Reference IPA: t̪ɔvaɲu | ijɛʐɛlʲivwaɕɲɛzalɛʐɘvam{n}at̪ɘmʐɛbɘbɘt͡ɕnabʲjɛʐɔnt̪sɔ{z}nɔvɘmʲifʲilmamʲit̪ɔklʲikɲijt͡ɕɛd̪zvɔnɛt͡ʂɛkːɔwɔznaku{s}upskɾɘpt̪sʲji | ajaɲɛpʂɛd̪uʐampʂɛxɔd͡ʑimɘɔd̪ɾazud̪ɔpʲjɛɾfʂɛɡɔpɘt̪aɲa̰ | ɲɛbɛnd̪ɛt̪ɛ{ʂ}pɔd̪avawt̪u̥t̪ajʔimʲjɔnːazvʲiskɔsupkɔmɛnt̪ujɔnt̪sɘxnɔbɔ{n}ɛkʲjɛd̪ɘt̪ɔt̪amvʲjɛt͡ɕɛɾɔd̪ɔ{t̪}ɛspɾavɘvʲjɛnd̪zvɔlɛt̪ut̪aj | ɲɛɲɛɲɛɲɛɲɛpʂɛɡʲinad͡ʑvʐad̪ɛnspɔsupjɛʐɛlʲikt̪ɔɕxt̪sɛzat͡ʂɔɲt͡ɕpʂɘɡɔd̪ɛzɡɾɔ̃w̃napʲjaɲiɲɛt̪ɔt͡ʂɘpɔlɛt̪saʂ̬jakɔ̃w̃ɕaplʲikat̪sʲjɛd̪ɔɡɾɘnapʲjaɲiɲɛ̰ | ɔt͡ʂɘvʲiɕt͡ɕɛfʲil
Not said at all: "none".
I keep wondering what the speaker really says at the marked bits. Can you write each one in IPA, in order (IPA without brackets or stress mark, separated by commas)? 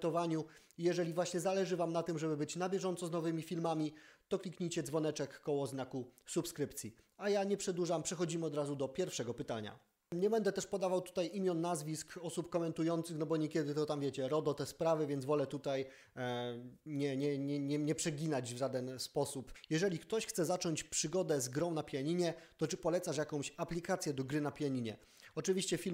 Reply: n, z, s, ʂ, ɲ, t̪